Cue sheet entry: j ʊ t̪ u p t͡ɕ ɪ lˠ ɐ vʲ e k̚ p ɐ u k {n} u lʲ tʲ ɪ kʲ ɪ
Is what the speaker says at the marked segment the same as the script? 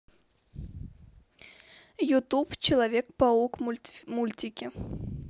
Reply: no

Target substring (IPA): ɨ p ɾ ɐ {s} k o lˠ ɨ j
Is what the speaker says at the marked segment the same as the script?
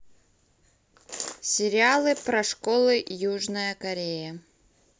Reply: no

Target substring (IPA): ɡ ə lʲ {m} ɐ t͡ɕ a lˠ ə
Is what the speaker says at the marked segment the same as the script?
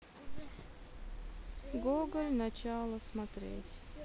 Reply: no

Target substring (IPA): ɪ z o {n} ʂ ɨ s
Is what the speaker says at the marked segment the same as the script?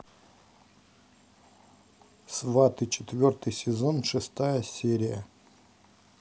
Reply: yes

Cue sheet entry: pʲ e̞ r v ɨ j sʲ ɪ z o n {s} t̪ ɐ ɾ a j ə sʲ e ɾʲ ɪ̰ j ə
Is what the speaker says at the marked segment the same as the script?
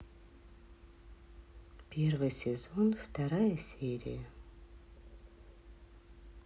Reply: no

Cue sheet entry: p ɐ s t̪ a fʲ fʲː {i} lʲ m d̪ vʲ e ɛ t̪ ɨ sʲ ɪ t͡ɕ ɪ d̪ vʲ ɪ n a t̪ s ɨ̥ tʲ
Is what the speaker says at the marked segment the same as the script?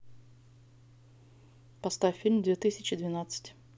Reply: yes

